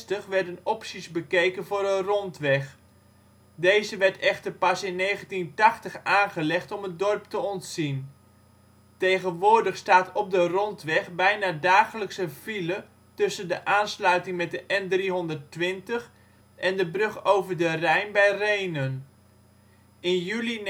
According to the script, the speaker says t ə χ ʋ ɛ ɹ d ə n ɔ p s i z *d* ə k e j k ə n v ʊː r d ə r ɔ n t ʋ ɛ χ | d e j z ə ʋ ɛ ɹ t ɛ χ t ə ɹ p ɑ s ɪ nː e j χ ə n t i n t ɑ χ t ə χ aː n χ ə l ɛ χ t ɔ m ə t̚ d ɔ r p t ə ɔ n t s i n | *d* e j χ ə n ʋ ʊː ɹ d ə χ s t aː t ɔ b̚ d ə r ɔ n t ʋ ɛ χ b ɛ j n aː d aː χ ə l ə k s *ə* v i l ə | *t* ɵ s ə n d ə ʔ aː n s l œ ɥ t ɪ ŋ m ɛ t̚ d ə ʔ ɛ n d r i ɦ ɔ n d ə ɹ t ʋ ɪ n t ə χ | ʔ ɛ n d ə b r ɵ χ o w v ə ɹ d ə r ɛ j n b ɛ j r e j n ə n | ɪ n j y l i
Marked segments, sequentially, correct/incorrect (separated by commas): incorrect, incorrect, correct, correct